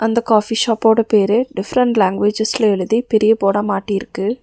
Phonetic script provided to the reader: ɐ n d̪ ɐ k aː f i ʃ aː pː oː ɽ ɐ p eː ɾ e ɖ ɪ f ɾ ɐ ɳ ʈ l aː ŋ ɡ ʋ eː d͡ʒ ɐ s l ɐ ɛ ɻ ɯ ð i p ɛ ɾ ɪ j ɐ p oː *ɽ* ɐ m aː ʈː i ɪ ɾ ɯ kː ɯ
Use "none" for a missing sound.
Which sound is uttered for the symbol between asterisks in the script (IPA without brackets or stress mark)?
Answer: ɽ